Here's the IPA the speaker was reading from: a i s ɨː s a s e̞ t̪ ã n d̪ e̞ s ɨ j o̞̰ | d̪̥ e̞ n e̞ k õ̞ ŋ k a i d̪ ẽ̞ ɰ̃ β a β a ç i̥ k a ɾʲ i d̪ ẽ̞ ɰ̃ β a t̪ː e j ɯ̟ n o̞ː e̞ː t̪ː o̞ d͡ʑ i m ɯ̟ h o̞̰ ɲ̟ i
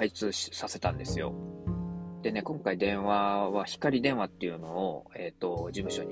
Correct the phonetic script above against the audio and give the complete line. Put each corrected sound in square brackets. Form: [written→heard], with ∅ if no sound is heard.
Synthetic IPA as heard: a i [s→t͡s] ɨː s a s e̞ t̪ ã n d̪ e̞ s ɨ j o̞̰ | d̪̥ e̞ n e̞ k õ̞ ŋ k a i d̪ ẽ̞ ɰ̃ β a β a ç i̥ k a ɾʲ i d̪ ẽ̞ ɰ̃ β a t̪ː e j ɯ̟ n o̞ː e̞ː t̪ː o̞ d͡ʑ i m ɯ̟ [h→ɕ] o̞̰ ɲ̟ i